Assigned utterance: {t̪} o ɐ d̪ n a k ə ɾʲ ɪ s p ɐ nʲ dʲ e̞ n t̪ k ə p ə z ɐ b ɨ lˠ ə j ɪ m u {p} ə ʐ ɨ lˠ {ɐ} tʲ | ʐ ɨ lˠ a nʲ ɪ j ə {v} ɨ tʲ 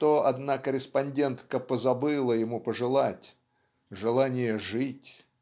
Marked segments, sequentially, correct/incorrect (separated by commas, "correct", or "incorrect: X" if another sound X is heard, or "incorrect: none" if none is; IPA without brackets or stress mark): correct, correct, incorrect: a, incorrect: ʐ